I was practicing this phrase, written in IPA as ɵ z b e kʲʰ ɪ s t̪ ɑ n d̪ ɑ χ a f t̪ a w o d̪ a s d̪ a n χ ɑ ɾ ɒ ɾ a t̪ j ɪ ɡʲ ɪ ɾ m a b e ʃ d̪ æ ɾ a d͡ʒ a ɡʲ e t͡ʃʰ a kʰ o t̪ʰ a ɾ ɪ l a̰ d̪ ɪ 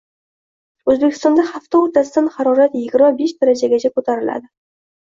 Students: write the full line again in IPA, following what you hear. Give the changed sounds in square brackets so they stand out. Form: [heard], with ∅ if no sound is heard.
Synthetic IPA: ɵ z b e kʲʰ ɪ s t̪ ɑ n d̪ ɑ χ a f t̪ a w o [t̪] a s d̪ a n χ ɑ ɾ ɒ ɾ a t̪ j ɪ ɡʲ ɪ ɾ m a b e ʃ d̪ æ ɾ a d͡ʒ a ɡʲ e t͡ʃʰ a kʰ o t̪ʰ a ɾ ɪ l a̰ d̪ ɪ